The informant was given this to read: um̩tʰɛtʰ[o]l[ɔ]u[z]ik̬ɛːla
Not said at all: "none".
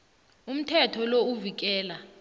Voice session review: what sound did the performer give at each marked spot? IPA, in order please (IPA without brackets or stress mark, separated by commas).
ɔ, o, v